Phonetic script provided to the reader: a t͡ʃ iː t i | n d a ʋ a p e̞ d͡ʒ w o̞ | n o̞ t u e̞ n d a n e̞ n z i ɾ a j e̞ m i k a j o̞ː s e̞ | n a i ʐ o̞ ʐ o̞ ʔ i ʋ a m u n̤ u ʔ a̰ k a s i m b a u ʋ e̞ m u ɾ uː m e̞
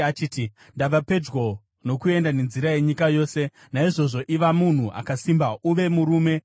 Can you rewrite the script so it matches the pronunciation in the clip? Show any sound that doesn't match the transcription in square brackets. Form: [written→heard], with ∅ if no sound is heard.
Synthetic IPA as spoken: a t͡ʃ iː t i | n d a ʋ a p e̞ d͡ʒ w o̞ | n o̞ [t→k] u e̞ n d a n e̞ n z i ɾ a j e̞ [m→ɲ] i k a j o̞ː s e̞ | n a i ʐ o̞ ʐ o̞ ʔ i ʋ a m u n̤ u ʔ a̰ k a s i m b a u ʋ e̞ m u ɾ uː m e̞